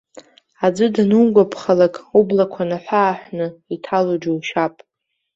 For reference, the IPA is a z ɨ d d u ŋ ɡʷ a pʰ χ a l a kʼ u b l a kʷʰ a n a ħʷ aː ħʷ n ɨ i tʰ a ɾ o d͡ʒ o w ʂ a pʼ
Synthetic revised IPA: a d͡z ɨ d n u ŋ ɡʷ a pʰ χ a l a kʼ u b l a kʷʰ a n a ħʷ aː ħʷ n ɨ i tʰ a l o d͡ʒ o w ʃ a pʼ

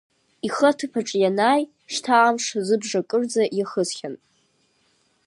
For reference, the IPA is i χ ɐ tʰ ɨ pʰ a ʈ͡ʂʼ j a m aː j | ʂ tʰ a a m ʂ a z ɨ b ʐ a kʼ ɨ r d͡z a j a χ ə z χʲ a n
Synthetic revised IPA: i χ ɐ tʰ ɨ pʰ a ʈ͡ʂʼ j a n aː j | ʂ tʰ a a m ʂ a z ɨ b ʐ a kʼ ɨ r d͡z a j a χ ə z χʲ a n

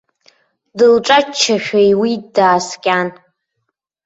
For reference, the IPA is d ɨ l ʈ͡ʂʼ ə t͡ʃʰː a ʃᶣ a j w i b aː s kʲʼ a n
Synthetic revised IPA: d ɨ l ʈ͡ʂʼ a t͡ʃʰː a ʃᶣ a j w i d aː s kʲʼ a n

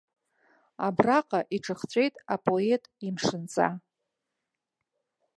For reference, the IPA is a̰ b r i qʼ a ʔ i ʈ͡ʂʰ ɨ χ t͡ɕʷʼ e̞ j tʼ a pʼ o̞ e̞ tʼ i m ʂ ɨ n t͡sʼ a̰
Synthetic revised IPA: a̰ b r a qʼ a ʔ i ʈ͡ʂʰ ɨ χ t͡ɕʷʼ e̞ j tʼ a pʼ o̞ e̞ tʼ i m ʂ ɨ n t͡sʼ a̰

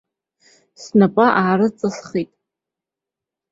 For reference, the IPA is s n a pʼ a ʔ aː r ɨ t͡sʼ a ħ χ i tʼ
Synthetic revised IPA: s n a pʼ a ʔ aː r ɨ t͡sʼ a s χ i tʼ

